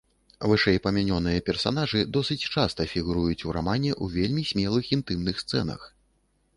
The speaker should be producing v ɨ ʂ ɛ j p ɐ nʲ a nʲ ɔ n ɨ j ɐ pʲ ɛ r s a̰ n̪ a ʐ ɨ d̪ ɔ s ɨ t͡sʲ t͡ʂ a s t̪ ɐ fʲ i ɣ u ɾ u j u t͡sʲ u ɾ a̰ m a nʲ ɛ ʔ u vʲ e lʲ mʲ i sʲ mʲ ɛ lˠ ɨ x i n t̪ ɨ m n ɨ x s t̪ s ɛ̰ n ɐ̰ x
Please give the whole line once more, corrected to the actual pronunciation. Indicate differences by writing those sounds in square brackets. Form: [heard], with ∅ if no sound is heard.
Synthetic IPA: v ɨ ʂ ɛ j p ɐ [mʲ] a nʲ ɔ n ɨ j ɐ pʲ ɛ r s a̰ n̪ a ʐ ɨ d̪ ɔ s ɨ t͡sʲ t͡ʂ a s t̪ ɐ fʲ i ɣ u ɾ u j u t͡sʲ u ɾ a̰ m a nʲ ɛ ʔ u vʲ e lʲ mʲ i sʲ mʲ ɛ lˠ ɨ x i n t̪ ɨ m n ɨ x s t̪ s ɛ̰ n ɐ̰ x